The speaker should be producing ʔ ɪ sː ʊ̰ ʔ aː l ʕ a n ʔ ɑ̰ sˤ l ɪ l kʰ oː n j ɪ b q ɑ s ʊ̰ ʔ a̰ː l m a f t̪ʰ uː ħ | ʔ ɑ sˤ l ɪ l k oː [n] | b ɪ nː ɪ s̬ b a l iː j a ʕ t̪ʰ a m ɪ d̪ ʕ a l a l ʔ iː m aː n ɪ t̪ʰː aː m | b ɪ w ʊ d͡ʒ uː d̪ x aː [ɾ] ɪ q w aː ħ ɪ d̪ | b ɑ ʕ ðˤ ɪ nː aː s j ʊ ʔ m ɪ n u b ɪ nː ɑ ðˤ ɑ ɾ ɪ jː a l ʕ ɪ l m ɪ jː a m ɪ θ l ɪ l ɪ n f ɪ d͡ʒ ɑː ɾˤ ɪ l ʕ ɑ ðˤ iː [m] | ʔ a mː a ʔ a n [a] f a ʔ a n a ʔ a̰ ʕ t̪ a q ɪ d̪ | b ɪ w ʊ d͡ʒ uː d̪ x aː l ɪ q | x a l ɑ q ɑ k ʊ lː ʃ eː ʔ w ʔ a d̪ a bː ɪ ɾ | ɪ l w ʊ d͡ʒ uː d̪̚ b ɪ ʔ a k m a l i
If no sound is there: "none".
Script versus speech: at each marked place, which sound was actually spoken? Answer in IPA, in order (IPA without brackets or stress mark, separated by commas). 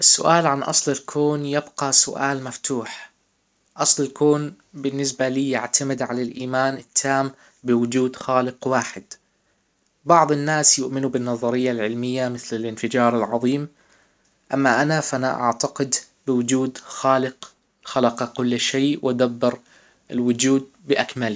n, l, m, a